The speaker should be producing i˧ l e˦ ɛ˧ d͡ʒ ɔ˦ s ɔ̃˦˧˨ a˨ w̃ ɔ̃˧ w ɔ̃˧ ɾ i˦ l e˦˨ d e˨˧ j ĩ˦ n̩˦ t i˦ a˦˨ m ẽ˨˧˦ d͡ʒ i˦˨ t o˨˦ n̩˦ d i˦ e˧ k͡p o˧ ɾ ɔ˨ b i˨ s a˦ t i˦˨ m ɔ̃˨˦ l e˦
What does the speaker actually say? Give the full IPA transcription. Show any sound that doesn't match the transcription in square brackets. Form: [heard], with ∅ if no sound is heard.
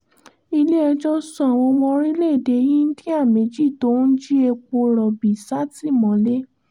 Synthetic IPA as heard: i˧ l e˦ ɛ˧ d͡ʒ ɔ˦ s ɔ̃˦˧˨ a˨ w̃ ɔ̃˧ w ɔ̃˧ ɾ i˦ l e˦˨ d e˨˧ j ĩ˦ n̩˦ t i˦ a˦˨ m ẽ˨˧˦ d͡ʒ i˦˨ t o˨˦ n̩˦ [d͡ʒ] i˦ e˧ k͡p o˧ ɾ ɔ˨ b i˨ s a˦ t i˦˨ m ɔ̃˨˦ l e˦